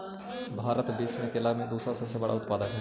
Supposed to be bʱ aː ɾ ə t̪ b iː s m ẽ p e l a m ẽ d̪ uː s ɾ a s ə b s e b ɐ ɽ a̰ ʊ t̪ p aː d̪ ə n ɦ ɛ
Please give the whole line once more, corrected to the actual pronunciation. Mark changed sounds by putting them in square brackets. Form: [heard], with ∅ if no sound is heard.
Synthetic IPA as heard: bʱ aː ɾ ə t̪ b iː s m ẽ [k] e l a m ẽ d̪ uː s ɾ a s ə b s e b ɐ ɽ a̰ ʊ t̪ p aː d̪ ə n ɦ ɛ

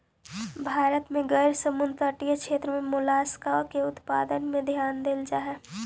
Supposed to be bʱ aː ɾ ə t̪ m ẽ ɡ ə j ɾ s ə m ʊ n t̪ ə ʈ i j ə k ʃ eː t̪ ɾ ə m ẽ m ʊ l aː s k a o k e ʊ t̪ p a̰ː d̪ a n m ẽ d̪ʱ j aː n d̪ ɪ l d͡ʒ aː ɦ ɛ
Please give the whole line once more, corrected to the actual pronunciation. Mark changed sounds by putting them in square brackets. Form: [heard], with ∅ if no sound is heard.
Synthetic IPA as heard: bʱ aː ɾ ə t̪ m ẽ ɡ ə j ɾ s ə m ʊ n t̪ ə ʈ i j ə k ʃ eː t̪ ɾ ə m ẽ m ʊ l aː s k a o k e ʊ t̪ p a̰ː d̪ [ə] n m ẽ d̪ʱ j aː n d̪ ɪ l d͡ʒ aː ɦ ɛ

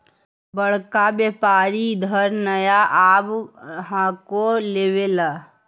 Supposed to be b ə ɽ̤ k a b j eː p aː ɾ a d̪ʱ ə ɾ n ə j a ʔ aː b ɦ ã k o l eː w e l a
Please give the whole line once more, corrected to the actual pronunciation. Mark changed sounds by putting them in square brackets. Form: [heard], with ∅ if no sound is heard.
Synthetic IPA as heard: b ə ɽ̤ k a b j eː p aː ɾ [i] d̪ʱ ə ɾ n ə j a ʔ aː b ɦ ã k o l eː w e l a

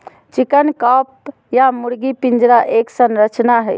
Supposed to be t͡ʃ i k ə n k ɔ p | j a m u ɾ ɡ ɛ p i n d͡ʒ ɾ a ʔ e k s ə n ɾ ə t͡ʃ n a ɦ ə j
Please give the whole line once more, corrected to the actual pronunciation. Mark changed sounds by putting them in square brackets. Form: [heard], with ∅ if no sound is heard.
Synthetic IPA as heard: t͡ʃ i k ə n k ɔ p | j a m u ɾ ɡ [i] p i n d͡ʒ ɾ a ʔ e k s ə n ɾ ə t͡ʃ n a ɦ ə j

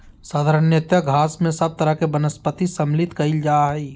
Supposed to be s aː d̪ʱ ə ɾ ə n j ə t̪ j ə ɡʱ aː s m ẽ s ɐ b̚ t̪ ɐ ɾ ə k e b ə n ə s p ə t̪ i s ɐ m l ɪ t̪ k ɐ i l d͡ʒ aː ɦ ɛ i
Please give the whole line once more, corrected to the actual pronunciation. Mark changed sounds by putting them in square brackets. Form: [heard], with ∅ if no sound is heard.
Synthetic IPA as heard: s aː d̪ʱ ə ɾ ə n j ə t̪ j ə ɡʱ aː s m ẽ s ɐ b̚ t̪ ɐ ɾ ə k e b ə n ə s p ə t̪ i s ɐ m l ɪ t̪ k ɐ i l d͡ʒ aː ɦ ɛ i

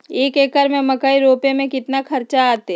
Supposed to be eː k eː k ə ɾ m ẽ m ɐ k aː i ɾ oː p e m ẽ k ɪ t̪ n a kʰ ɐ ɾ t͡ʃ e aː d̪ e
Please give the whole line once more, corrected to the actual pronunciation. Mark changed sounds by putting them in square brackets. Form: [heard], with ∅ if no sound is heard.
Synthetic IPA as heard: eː k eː k ə ɾ m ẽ m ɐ k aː i ɾ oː p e m ẽ k ɪ t̪ n a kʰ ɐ ɾ t͡ʃ [a] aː [t̪] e

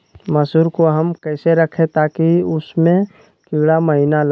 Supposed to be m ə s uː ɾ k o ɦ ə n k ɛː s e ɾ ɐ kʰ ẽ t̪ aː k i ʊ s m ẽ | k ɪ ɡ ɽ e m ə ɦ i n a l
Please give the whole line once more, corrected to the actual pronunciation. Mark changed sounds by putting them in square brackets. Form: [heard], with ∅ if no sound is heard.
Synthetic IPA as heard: m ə s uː ɾ k o ɦ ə [m] k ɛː s e ɾ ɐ kʰ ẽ t̪ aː k i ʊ s m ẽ | k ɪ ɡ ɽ [a] m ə ɦ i n a l

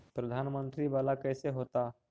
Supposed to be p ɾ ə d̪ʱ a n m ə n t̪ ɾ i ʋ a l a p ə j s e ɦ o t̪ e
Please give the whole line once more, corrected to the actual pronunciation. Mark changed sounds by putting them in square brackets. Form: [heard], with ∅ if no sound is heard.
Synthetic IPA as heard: p ɾ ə d̪ʱ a n m ə n t̪ ɾ i ʋ a l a [k] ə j s e ɦ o t̪ [a]

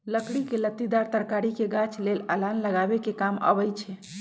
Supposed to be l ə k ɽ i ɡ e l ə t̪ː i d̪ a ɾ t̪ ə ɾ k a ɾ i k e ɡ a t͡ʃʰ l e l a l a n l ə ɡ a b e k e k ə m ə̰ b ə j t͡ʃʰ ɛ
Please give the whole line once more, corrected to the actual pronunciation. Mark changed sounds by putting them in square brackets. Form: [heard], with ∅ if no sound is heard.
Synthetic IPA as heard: l ə k ɽ i [k] e l ə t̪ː i d̪ a ɾ t̪ ə ɾ k a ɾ i k e ɡ a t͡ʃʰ l e l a l a n l ə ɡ a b e k e k [a] m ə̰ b ə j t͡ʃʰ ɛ

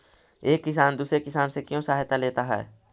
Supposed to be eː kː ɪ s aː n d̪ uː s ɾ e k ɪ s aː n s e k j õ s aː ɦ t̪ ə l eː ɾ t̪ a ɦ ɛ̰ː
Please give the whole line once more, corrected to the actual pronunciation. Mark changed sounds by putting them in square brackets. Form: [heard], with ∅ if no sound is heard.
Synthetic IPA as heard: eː kː ɪ s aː n d̪ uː s ɾ e k ɪ s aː n s e k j õ s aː ɦ t̪ [a] l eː [∅] t̪ a ɦ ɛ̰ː

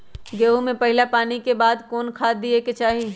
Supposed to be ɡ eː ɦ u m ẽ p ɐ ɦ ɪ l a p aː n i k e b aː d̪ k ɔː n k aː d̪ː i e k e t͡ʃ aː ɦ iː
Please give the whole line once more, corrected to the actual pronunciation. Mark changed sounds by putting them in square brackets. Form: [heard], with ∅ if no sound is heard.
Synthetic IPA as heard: ɡ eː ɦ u m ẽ p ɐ ɦ ɪ l a p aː n i k e b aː d̪ k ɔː n [kʰ] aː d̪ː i e k e t͡ʃ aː ɦ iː

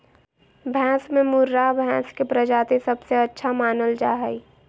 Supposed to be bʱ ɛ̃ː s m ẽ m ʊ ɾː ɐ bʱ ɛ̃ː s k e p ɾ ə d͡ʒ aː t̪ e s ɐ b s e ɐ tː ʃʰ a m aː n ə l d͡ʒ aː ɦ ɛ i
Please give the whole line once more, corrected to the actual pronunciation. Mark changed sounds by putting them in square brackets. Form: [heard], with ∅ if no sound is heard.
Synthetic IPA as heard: bʱ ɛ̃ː s m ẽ m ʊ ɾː [a] bʱ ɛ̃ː s k e p ɾ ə d͡ʒ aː t̪ e s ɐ b s e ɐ tː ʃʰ a m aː n ə l d͡ʒ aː ɦ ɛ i

